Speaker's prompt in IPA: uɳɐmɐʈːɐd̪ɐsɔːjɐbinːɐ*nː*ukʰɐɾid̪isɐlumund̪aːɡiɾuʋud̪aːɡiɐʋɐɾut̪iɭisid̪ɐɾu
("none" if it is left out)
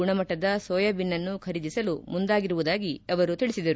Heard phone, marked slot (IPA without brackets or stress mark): nː